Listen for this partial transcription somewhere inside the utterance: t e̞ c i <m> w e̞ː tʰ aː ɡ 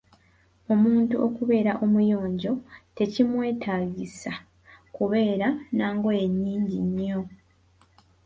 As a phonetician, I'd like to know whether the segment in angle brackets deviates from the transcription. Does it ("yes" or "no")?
no